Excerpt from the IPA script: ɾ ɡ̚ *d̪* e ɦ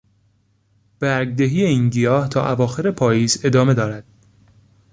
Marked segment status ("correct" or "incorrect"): correct